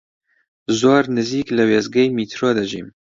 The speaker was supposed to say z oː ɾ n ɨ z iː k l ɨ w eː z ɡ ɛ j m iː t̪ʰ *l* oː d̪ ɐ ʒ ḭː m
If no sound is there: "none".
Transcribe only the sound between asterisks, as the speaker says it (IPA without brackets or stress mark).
ɾ